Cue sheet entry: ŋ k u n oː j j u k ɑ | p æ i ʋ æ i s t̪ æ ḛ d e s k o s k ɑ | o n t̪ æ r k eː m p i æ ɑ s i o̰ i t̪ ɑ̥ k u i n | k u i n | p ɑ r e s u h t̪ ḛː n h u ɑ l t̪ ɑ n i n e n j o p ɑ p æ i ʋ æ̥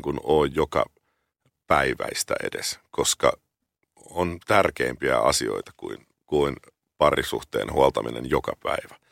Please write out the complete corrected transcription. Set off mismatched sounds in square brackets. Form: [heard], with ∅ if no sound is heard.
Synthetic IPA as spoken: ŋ k u n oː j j [o] k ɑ | p æ i ʋ æ i s t̪ æ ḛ d e s k o s k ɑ | o n t̪ æ r k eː m p i æ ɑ s i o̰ i t̪ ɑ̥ k u i n | k u i n | p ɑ r [i] s u h t̪ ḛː n h u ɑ l t̪ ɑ [m] i n e n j o [k] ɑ p æ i ʋ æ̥